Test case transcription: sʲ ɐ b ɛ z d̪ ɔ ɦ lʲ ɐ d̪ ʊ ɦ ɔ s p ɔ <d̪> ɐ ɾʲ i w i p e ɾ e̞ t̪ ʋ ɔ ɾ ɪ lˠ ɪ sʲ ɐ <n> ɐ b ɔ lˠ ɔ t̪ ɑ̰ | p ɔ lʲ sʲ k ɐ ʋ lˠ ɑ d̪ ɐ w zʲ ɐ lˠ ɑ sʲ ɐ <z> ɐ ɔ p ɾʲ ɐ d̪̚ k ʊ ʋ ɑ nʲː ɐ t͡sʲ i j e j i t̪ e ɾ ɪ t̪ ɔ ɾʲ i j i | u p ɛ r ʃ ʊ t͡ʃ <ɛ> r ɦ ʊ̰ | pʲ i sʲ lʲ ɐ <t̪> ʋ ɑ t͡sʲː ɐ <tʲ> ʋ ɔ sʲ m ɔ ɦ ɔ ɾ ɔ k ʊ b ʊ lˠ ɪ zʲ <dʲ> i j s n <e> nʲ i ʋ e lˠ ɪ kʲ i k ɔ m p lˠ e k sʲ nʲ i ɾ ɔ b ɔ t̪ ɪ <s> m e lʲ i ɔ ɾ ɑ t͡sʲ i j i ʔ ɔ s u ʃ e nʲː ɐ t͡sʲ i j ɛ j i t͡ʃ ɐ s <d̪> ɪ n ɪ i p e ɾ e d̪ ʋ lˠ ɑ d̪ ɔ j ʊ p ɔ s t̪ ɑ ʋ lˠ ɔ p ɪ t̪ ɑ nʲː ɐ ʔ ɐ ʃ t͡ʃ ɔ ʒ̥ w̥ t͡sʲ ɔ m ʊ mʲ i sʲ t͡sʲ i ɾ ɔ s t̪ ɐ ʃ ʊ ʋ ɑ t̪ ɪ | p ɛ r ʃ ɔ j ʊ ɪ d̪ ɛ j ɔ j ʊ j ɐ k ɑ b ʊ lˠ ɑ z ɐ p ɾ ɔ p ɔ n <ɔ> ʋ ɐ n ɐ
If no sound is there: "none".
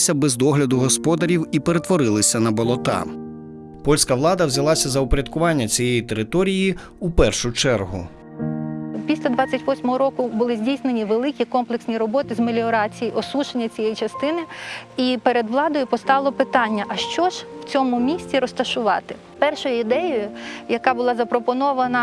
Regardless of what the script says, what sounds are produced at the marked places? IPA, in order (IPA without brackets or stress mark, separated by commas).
d̪, n, z, ɛ, d̪, tʲ, dʲ, e, z, t̪, ɔ